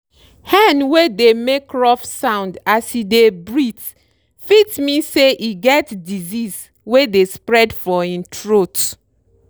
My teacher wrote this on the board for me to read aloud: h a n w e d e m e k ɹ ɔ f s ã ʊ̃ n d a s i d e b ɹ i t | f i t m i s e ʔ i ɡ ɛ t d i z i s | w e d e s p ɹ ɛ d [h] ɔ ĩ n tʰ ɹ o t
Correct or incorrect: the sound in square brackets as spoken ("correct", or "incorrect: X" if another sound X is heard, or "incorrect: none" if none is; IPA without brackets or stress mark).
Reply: incorrect: f